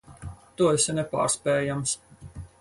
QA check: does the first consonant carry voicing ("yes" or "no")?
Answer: no